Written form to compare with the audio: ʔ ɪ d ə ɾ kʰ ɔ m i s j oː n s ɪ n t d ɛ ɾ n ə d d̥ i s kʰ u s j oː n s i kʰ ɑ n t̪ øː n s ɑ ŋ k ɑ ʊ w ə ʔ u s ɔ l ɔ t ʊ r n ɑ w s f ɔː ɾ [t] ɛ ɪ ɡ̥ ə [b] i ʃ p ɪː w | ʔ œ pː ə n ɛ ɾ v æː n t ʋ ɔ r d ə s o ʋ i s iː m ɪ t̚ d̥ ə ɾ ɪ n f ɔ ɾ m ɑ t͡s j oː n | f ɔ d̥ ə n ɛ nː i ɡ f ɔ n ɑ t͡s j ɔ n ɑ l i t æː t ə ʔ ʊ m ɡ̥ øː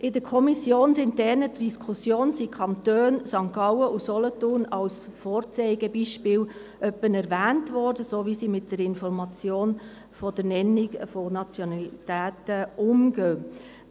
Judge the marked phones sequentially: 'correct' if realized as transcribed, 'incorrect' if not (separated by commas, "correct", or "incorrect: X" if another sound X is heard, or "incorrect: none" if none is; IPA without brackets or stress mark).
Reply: incorrect: t͡s, correct